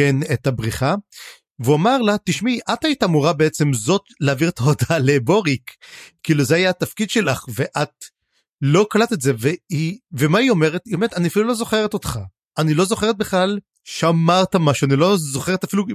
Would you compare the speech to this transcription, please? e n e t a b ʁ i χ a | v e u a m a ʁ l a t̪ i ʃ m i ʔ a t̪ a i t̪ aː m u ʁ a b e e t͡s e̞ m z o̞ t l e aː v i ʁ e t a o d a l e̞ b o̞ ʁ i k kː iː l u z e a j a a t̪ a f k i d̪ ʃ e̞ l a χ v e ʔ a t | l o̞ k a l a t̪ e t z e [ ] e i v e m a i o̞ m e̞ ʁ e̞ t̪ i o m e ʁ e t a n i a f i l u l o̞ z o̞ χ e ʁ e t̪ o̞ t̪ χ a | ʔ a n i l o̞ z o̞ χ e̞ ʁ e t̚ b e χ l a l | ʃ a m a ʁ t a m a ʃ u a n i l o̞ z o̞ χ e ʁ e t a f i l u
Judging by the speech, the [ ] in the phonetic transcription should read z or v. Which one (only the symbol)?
v